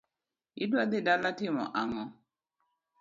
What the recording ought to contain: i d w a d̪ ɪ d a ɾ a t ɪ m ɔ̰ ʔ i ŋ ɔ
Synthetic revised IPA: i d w a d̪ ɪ d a l a t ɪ m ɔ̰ ʔ a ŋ ɔ